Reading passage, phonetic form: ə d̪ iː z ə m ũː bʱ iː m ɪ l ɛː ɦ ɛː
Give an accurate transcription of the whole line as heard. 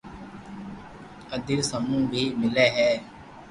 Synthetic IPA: ə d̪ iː s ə m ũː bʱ iː m ɪ l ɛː ɦ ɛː

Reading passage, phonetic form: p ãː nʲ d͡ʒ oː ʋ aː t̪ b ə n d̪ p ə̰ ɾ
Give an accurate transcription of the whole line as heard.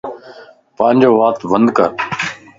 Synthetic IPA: p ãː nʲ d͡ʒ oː ʋ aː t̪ b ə n d̪ k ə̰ ɾ

